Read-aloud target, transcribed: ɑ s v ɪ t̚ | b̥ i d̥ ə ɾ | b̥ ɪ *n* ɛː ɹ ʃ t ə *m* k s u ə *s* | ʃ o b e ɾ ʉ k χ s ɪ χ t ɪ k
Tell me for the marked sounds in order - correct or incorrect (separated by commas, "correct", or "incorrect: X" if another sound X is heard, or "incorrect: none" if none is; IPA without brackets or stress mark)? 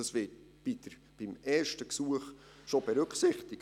incorrect: m, incorrect: none, incorrect: χ